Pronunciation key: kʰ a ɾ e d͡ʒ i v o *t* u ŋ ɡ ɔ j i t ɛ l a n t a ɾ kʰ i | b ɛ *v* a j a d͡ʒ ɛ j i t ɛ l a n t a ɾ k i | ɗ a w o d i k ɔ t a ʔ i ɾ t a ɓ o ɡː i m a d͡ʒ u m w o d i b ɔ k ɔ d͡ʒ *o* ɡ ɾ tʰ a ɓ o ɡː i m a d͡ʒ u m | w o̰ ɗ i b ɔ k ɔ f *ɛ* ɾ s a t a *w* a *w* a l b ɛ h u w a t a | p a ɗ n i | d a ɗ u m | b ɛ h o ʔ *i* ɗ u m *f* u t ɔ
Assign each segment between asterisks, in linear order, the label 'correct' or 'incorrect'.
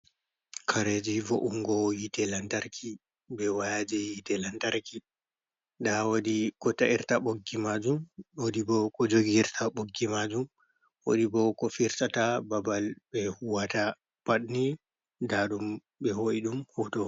incorrect, incorrect, correct, incorrect, incorrect, incorrect, correct, incorrect

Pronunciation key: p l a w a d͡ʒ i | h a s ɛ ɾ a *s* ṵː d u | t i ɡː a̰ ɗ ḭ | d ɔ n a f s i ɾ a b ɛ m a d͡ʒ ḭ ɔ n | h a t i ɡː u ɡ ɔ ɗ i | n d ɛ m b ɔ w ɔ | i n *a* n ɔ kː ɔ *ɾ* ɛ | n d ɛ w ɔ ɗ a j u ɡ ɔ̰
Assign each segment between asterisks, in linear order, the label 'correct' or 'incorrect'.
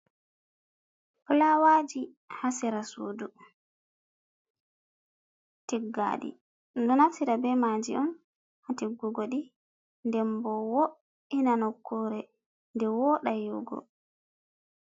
correct, correct, correct

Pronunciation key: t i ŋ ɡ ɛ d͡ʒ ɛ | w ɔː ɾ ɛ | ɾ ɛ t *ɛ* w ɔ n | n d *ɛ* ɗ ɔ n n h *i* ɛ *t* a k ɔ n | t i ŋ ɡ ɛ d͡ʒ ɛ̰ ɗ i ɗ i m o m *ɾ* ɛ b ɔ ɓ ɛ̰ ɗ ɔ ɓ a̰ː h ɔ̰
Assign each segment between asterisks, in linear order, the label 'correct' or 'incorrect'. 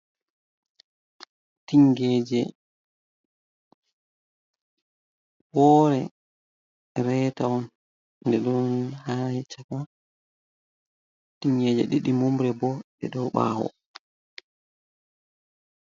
incorrect, correct, incorrect, incorrect, correct

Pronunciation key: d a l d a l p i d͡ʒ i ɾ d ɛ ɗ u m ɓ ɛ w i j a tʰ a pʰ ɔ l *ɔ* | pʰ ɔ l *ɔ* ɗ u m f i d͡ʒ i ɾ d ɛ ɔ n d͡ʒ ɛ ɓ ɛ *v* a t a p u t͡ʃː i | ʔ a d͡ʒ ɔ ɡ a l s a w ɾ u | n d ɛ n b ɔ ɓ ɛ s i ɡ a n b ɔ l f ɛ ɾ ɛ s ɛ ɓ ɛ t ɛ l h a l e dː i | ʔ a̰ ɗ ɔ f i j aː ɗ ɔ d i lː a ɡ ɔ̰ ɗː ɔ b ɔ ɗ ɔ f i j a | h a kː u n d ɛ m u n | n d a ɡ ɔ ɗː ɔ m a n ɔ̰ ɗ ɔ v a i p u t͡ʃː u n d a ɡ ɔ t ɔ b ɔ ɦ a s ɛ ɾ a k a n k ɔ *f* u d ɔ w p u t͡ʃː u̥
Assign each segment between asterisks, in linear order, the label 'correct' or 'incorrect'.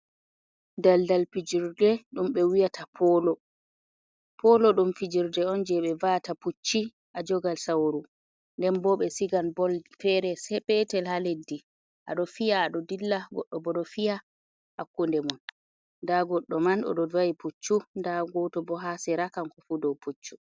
correct, correct, correct, correct

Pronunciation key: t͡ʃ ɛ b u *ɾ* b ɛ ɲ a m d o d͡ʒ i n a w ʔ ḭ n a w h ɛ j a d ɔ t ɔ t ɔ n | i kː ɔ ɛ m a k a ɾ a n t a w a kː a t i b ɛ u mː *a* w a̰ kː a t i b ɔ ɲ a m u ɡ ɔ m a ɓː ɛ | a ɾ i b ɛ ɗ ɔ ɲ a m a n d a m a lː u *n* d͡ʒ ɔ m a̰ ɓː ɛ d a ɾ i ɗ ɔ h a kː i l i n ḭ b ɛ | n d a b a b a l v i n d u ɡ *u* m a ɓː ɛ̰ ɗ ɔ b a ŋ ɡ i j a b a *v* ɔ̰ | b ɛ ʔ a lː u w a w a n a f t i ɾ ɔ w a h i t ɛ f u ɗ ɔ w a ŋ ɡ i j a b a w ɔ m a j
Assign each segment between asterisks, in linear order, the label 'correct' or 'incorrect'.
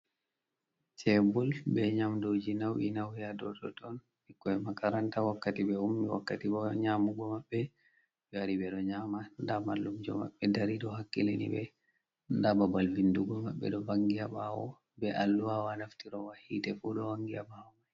incorrect, incorrect, incorrect, incorrect, incorrect

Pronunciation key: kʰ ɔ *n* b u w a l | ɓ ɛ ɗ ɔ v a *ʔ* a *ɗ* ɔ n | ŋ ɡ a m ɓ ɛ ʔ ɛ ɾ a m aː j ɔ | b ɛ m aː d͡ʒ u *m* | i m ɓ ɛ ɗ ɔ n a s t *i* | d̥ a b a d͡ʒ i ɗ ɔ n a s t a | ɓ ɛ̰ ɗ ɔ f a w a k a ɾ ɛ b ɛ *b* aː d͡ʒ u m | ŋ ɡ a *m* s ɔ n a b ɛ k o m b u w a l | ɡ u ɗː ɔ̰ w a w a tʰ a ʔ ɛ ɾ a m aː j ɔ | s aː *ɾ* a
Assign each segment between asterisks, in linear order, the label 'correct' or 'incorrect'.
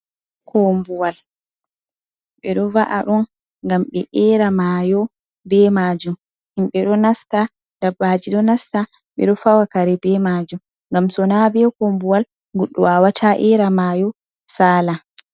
incorrect, correct, correct, correct, incorrect, incorrect, correct, incorrect

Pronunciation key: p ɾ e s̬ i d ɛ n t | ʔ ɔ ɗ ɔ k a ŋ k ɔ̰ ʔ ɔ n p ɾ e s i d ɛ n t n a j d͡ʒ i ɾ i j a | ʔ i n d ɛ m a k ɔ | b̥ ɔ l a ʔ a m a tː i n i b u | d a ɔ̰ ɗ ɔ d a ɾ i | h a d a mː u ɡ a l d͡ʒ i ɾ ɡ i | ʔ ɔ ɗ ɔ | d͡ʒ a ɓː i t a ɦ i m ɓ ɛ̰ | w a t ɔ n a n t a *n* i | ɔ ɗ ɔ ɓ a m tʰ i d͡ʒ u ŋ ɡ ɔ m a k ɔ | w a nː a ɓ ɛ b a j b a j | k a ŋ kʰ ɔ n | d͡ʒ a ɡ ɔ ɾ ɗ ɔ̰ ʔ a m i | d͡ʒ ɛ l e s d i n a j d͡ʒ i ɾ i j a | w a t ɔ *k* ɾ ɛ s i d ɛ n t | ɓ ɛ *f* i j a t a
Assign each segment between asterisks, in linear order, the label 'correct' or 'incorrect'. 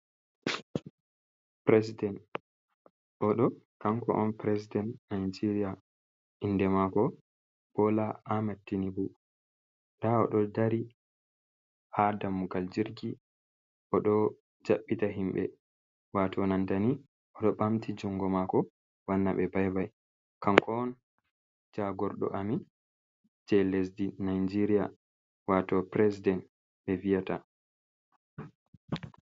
correct, incorrect, incorrect

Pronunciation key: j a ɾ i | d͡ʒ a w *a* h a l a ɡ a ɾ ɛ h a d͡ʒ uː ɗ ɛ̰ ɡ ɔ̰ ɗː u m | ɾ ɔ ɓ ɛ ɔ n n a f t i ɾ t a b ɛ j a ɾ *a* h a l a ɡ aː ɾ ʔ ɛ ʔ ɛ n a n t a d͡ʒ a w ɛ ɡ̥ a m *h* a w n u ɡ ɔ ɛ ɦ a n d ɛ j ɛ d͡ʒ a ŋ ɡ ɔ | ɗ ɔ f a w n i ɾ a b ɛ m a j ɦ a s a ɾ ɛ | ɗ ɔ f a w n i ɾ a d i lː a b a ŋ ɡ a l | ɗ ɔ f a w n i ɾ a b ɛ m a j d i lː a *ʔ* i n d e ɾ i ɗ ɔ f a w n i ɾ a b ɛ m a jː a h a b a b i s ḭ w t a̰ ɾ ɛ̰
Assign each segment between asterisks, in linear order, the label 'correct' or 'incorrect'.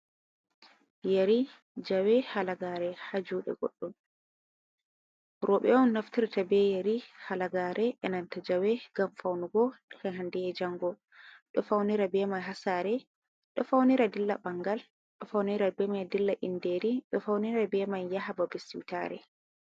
incorrect, incorrect, incorrect, correct

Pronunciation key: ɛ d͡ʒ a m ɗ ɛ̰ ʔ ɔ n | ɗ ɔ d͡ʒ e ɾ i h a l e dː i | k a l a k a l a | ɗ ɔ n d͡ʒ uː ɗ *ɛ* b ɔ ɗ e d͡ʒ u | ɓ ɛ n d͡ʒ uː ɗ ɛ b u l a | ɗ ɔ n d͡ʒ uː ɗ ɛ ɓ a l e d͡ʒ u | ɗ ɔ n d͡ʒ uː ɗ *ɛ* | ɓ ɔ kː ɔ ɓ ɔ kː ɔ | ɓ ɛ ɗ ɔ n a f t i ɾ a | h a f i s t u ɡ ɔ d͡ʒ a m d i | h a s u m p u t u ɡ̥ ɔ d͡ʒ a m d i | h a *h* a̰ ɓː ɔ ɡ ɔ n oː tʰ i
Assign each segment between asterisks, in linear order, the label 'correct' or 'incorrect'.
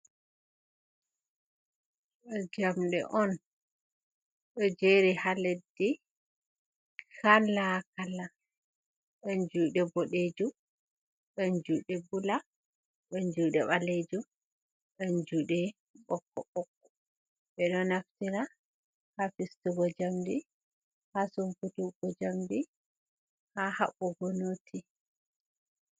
correct, correct, correct

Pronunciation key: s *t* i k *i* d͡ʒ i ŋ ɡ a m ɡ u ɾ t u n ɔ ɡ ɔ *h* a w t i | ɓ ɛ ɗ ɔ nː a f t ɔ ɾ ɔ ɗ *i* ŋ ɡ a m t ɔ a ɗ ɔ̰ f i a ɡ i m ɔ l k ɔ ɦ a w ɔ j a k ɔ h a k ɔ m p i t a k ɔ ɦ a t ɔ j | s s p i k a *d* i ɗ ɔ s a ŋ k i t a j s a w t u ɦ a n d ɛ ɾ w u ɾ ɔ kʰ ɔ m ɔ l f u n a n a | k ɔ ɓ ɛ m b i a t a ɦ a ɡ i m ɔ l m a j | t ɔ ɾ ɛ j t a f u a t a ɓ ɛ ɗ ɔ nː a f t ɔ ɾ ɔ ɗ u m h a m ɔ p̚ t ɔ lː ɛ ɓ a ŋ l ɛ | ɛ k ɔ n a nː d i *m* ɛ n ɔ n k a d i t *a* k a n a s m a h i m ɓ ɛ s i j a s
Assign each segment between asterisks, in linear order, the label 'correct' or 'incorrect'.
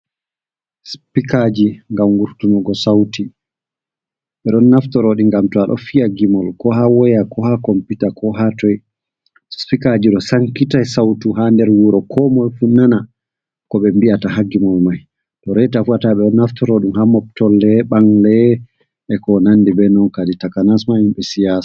incorrect, incorrect, incorrect, correct, incorrect, incorrect, correct

